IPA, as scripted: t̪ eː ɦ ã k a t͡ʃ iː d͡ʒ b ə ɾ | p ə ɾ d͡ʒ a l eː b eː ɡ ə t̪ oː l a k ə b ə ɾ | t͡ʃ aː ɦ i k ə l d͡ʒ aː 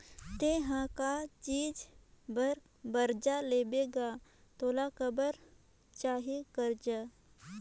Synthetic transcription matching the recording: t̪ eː ɦ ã k a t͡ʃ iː d͡ʒ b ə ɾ | b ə ɾ d͡ʒ a l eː b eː ɡ a t̪ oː l a k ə b ə ɾ | t͡ʃ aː ɦ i k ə ɾ d͡ʒ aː